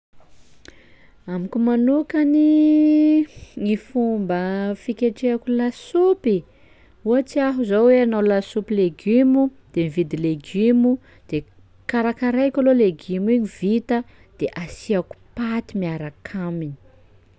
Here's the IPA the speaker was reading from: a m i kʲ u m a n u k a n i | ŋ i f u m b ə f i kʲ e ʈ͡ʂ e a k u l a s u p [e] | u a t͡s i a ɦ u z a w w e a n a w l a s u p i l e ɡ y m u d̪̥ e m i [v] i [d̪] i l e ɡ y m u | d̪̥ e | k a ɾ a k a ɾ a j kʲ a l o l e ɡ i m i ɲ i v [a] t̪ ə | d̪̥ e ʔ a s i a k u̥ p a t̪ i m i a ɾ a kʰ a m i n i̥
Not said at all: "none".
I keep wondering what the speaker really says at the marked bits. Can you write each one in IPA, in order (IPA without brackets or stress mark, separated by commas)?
i, v, d̪, i